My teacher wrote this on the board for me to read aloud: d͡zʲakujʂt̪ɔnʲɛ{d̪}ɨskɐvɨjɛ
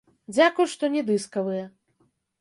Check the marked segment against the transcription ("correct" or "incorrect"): correct